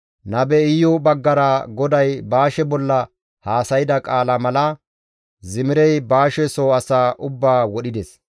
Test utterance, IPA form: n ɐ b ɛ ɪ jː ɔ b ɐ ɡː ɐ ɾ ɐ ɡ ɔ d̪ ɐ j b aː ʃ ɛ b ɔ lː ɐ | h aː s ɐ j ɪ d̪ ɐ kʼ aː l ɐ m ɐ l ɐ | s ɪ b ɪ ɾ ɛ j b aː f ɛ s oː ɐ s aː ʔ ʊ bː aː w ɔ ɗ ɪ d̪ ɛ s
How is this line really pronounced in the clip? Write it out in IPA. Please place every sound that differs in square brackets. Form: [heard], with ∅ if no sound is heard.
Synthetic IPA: n ɐ b ɛ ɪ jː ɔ b ɐ ɡː ɐ ɾ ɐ ɡ ɔ d̪ ɐ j b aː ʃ ɛ b ɔ lː ɐ | h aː s ɐ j ɪ d̪ ɐ kʼ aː l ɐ m ɐ l ɐ | [z] ɪ [m] ɪ ɾ ɛ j b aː [ʃ] ɛ s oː ɐ s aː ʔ ʊ bː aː w ɔ ɗ ɪ d̪ ɛ s

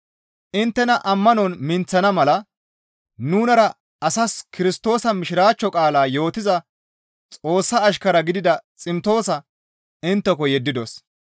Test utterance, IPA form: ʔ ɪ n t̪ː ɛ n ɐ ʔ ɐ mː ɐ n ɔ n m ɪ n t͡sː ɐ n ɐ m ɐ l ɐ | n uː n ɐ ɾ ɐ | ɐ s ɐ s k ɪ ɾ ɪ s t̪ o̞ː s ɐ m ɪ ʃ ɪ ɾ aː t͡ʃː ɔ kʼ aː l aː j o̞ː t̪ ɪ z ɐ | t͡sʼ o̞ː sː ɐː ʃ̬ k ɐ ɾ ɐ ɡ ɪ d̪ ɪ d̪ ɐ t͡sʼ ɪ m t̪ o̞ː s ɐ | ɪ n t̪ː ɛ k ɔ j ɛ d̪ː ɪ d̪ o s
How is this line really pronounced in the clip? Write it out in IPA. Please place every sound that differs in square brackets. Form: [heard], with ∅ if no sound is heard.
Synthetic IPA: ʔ ɪ n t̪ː ɛ n ɐ ʔ ɐ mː ɐ n ɔ n m ɪ n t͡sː ɐ n ɐ m ɐ l ɐ | n uː n ɐ ɾ ɐ | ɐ s ɐ s k ɪ ɾ ɪ s t̪ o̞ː s ɐ m ɪ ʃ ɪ ɾ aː t͡ʃː ɔ kʼ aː l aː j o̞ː t̪ ɪ z ɐ | t͡sʼ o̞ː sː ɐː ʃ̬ k ɐ ɾ ɐ ɡ ɪ d̪ ɪ d̪ ɐ t͡sʼ ɪ m t̪ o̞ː s ɐ | ɪ n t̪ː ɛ k ɔ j ɛ d̪ː ɪ d̪ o s

